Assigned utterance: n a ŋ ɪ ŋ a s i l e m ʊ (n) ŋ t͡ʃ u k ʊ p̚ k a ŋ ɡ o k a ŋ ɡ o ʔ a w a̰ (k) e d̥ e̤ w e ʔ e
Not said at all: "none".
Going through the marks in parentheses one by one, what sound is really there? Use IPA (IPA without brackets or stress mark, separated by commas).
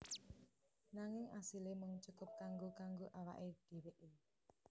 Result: none, ʔ